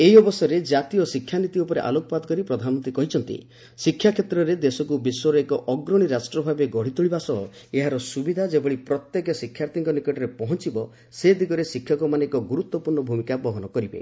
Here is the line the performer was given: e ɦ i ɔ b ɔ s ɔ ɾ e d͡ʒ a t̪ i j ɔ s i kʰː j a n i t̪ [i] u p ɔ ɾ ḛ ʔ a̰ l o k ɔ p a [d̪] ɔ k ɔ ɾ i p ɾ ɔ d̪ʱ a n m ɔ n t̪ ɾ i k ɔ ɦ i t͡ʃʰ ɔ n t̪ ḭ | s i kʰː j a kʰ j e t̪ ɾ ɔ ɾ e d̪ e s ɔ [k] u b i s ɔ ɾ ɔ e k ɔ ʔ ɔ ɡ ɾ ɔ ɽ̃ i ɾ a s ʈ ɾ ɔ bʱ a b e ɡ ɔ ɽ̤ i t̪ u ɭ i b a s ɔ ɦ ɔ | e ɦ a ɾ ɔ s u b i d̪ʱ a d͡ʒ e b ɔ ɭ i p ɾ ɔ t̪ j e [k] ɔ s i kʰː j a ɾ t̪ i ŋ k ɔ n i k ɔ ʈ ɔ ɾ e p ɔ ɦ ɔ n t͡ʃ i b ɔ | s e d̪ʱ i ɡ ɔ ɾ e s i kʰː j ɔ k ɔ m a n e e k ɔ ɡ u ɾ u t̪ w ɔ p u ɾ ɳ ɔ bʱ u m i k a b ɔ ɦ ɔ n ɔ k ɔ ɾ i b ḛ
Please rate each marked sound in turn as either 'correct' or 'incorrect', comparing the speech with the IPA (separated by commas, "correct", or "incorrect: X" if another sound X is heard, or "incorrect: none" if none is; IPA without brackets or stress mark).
correct, correct, correct, correct